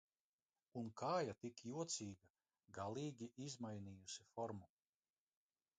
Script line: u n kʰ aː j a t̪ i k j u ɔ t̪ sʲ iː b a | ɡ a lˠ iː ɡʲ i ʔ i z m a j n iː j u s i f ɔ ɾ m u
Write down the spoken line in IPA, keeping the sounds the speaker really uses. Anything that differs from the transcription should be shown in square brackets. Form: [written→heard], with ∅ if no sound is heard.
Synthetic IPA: u n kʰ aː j a t̪ i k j u ɔ t̪ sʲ iː [b→ɡ] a | ɡ a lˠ iː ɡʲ i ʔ i z m a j n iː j u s i f ɔ ɾ m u